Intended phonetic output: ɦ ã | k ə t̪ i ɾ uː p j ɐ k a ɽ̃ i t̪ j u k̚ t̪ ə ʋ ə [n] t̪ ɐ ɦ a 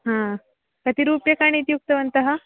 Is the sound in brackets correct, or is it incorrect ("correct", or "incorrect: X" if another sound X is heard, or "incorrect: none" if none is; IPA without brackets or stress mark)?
correct